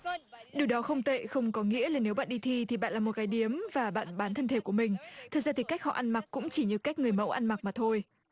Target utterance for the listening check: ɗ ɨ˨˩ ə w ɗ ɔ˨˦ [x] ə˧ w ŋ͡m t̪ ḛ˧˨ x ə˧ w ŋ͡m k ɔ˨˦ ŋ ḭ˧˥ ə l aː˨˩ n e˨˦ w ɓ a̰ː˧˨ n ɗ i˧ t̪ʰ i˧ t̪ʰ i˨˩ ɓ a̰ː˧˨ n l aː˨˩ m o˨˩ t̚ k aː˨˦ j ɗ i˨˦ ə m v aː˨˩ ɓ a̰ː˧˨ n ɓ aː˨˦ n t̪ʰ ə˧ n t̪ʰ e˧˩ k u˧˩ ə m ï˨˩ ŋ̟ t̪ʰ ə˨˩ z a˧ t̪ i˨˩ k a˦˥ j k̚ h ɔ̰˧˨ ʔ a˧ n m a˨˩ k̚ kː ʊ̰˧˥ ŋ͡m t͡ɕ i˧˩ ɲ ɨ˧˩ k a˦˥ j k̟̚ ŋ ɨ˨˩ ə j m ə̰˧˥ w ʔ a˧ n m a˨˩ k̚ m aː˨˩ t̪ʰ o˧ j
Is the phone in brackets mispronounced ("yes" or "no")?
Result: no